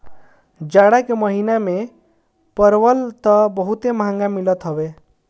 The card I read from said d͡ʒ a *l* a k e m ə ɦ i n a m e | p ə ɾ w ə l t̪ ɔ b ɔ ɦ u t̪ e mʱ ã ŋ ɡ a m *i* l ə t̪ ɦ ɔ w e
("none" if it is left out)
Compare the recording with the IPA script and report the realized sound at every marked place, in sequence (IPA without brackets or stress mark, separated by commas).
ɽ, i